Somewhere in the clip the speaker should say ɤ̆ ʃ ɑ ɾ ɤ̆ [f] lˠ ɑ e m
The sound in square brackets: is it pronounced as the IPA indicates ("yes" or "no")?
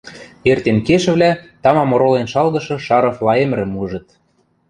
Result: yes